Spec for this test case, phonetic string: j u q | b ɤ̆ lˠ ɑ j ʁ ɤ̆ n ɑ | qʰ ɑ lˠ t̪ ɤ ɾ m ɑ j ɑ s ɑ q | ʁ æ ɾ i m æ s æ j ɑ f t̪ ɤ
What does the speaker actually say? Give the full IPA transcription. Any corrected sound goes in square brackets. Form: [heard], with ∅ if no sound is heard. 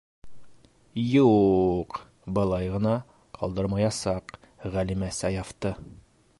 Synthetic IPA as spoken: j u q | b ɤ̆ lˠ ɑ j ʁ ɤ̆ n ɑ | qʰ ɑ lˠ [d̪] ɤ ɾ m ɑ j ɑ s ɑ q | ʁ æ [l] i m æ s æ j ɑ f t̪ ɤ